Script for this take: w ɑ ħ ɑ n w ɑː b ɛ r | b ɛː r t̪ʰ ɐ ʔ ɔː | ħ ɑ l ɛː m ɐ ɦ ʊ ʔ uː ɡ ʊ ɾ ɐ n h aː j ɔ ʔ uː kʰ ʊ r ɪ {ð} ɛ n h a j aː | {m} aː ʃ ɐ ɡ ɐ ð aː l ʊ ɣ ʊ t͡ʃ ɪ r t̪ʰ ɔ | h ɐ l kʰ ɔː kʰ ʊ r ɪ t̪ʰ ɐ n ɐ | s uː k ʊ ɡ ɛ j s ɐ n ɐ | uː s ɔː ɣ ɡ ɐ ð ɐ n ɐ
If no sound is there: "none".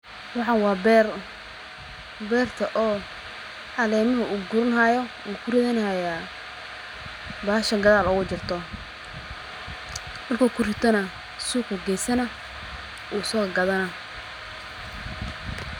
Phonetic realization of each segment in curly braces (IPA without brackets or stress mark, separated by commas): ð, b